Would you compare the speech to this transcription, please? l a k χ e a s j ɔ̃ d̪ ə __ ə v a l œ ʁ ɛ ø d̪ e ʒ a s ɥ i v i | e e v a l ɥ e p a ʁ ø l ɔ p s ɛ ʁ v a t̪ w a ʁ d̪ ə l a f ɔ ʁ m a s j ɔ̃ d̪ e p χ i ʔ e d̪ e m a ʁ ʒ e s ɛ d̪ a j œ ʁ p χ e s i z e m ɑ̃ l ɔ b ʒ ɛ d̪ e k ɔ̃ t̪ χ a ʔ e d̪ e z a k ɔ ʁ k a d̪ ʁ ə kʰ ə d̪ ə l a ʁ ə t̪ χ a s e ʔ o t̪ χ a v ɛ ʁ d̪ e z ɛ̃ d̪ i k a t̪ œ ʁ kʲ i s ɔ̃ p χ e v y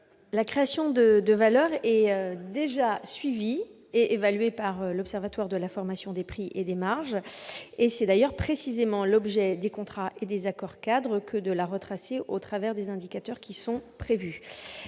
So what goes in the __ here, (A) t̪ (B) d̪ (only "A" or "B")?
B